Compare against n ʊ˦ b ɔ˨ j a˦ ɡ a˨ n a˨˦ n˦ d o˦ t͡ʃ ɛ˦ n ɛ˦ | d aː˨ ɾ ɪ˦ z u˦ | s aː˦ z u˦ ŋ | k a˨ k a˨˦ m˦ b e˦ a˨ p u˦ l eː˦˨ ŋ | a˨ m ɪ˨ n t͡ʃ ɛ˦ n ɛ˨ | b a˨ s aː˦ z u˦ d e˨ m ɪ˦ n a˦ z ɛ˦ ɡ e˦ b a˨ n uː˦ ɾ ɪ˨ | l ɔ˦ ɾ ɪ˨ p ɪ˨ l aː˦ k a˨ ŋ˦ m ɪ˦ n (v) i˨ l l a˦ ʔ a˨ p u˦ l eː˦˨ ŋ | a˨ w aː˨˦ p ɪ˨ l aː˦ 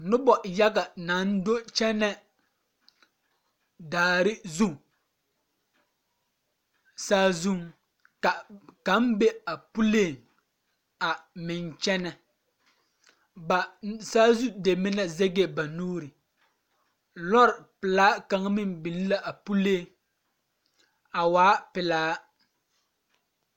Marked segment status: incorrect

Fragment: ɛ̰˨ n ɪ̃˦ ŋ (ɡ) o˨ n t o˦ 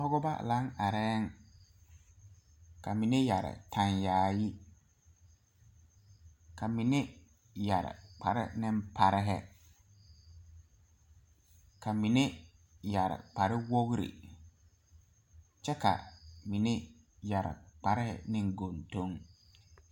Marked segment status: correct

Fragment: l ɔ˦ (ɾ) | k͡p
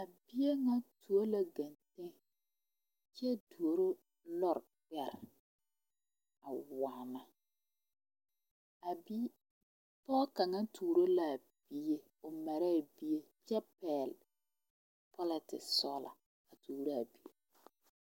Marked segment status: correct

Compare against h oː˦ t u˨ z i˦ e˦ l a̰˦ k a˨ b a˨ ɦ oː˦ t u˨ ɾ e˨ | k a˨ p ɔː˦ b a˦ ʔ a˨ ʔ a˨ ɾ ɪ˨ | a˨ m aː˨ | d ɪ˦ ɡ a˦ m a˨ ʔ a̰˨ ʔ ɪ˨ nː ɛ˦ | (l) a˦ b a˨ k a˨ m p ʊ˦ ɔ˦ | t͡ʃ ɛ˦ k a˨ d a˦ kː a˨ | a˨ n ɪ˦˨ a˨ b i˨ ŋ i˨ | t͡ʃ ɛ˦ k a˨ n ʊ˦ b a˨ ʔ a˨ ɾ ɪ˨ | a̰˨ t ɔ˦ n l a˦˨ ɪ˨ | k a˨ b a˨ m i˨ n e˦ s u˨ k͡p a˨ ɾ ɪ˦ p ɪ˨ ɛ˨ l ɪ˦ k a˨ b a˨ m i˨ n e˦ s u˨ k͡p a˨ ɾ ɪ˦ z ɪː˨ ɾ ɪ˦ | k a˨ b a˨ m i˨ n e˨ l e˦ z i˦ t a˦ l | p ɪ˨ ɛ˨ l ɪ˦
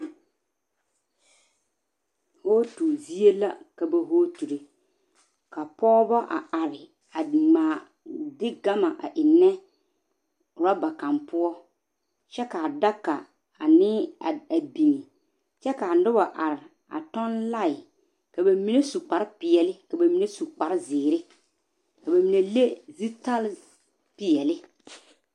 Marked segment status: incorrect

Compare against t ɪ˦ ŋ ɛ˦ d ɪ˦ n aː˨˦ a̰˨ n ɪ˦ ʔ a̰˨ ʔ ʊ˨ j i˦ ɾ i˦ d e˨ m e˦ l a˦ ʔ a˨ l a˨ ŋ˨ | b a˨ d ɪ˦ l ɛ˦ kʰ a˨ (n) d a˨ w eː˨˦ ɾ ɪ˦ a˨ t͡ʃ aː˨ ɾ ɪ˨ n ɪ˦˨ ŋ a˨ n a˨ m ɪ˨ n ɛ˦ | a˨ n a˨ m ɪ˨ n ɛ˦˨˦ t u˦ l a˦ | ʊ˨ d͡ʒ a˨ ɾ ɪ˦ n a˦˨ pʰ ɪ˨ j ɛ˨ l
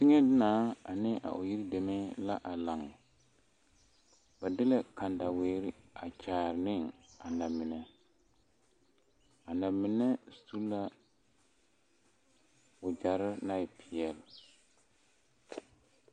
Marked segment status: correct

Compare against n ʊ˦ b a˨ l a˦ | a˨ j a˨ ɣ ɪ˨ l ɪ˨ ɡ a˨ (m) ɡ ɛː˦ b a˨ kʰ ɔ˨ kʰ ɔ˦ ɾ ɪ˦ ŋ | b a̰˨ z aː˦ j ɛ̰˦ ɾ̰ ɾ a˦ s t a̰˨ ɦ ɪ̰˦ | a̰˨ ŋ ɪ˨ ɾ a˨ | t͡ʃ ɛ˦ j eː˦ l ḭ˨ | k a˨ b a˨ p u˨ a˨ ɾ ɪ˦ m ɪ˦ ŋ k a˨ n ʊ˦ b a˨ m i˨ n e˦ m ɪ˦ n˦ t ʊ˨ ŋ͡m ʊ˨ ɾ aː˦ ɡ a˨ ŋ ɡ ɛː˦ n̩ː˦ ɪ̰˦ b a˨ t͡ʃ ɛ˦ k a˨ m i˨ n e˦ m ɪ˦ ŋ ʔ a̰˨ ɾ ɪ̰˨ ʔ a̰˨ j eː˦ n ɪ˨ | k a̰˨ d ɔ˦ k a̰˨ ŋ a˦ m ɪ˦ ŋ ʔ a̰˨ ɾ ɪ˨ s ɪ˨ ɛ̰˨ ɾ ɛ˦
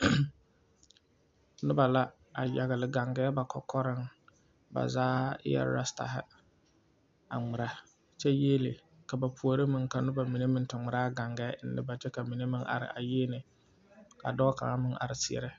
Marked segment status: incorrect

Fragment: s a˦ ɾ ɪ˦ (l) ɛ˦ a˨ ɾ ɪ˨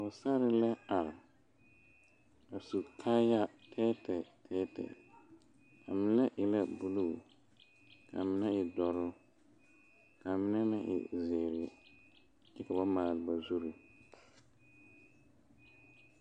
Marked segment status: correct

